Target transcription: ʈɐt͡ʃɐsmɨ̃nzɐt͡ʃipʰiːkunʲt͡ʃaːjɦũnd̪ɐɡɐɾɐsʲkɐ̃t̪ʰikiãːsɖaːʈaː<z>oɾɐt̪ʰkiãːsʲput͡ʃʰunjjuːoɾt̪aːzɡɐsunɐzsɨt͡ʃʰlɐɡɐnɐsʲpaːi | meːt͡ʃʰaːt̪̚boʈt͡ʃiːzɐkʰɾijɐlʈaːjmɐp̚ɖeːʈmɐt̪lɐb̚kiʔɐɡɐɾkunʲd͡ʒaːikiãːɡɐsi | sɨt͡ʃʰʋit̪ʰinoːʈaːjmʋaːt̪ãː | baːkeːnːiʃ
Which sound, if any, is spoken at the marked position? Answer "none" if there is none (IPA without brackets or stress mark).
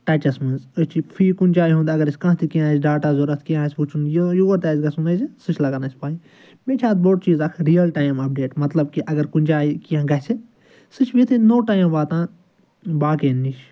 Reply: z